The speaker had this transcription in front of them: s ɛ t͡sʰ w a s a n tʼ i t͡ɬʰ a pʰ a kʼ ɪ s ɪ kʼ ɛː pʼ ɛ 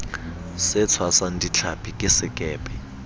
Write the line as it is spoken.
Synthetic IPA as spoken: s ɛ t͡sʰ w a s a n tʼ i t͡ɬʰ a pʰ i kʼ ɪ s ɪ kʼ ɛː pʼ ɛ